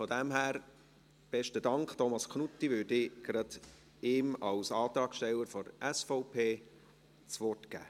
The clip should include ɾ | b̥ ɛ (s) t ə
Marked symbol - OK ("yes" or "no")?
no